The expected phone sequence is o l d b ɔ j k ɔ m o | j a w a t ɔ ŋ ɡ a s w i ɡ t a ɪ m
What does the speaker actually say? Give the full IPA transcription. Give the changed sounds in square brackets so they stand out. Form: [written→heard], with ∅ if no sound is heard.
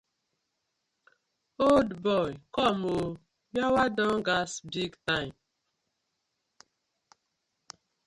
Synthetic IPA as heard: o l d b ɔ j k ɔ m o | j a w a [t→d] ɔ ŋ ɡ a s [w→b] i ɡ t a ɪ m